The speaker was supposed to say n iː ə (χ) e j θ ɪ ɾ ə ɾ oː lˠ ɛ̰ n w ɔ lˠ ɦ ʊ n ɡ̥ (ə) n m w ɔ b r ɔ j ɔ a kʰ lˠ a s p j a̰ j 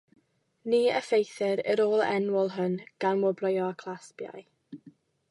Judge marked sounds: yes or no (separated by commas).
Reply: no, no